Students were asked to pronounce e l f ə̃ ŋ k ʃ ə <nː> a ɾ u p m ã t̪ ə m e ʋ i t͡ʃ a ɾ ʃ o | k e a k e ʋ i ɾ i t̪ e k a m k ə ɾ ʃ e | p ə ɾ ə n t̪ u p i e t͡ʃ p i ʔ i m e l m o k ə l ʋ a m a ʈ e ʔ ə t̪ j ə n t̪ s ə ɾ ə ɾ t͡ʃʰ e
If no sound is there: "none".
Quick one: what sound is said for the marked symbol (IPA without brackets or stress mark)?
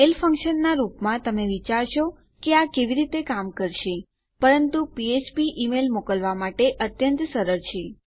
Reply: nː